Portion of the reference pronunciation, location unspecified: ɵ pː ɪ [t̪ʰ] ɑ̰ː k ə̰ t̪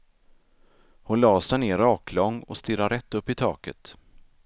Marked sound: correct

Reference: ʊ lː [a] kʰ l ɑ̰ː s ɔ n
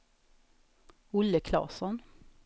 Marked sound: incorrect: ə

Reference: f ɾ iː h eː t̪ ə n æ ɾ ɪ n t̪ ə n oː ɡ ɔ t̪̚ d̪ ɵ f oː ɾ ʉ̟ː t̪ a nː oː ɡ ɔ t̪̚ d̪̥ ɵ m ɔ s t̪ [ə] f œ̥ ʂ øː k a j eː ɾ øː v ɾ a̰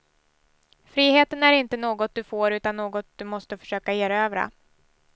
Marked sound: correct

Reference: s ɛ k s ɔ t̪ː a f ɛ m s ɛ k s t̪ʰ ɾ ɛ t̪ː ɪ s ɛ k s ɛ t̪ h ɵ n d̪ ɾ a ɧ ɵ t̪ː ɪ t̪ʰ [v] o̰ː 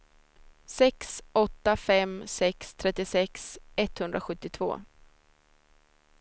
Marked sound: correct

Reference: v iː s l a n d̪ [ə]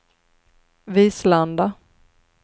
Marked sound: incorrect: a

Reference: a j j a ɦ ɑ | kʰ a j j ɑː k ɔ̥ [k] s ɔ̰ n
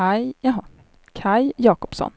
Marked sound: incorrect: p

